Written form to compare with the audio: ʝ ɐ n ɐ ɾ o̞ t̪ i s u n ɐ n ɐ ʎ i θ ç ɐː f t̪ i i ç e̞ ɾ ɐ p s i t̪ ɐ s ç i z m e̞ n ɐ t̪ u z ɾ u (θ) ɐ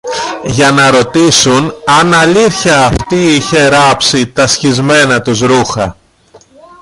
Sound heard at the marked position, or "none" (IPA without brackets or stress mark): x